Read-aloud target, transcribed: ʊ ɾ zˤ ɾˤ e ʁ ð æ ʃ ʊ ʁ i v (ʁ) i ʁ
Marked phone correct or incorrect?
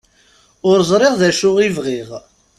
correct